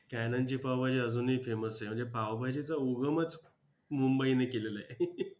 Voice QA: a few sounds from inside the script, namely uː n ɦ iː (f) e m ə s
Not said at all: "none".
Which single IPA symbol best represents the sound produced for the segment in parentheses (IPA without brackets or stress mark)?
f